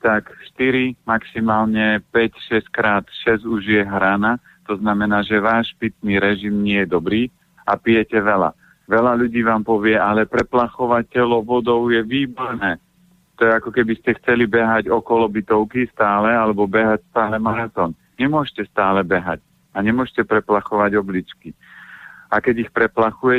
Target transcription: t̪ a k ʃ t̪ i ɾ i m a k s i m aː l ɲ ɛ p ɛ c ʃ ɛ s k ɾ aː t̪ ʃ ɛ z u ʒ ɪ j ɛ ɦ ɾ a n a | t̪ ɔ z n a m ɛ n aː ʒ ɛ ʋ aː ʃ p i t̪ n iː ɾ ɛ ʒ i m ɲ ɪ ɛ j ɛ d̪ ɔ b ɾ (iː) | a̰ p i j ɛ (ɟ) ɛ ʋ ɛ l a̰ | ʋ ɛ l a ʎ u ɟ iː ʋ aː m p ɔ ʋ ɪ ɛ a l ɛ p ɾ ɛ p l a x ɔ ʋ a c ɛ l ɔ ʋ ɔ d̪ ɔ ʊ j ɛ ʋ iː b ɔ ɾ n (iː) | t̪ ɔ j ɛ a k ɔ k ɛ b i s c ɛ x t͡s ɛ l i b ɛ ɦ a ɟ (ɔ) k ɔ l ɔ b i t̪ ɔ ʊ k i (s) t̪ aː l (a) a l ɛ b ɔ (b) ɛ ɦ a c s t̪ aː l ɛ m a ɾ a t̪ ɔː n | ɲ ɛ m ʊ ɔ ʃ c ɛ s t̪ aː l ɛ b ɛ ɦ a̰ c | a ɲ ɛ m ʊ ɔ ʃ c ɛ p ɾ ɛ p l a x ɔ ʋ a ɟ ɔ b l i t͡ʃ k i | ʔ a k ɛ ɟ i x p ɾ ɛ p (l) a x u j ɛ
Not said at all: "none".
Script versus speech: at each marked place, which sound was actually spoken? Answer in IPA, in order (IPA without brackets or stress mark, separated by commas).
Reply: iː, c, ɛː, ɔ, s, ɛ, b, l